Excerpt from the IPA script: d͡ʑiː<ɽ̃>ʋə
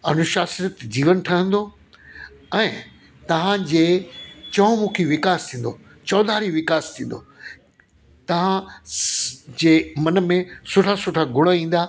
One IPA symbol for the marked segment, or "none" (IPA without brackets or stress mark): none